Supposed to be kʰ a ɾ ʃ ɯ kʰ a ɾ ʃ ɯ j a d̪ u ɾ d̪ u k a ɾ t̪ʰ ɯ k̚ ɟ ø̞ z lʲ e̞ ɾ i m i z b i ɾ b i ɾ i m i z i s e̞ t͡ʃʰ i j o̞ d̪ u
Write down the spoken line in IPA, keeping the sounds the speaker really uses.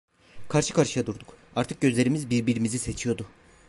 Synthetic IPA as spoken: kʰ a ɾ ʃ ɯ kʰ a ɾ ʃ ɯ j a d̪ u ɾ d̪ u k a ɾ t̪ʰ ɯ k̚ ɟ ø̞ z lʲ e̞ ɾ i m i z b i ɾ b i ɾ i m i z i s e̞ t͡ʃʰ i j o̞ d̪ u